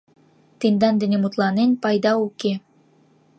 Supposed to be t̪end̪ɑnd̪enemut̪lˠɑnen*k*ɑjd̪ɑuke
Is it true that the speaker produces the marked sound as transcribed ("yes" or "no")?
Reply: no